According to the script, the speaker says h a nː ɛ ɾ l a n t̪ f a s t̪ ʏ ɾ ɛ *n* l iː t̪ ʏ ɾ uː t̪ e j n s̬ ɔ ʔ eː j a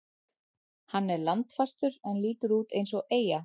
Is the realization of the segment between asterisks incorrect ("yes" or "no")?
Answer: no